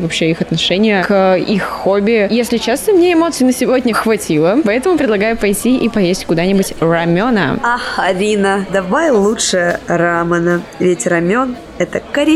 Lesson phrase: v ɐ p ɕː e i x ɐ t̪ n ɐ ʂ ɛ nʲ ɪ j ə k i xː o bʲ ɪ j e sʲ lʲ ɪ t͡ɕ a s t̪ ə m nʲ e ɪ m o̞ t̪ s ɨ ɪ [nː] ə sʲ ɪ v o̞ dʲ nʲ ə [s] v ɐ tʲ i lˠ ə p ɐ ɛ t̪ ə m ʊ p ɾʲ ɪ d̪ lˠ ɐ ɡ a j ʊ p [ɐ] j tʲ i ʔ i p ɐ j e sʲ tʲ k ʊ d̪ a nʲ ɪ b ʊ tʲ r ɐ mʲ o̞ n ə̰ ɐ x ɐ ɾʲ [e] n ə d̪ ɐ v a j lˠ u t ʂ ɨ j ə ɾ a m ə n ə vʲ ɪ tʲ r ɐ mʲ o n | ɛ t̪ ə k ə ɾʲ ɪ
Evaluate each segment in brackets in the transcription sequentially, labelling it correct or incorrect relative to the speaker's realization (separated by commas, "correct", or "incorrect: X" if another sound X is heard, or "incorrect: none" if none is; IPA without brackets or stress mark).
incorrect: n, incorrect: x, correct, incorrect: i